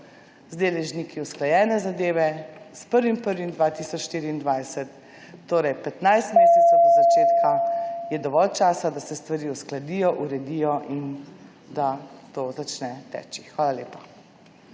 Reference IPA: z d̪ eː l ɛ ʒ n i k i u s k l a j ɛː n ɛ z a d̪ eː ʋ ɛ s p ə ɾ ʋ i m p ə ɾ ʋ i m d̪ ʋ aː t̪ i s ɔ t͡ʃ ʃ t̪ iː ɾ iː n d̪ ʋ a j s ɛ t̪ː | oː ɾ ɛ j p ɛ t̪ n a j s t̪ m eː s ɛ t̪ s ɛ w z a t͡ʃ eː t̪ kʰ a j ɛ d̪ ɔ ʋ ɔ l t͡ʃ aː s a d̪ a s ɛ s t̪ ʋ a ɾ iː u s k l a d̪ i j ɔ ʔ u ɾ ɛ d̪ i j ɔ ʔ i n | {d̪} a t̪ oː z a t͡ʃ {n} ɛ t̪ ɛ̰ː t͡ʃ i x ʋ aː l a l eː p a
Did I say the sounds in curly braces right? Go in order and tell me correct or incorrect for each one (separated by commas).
correct, correct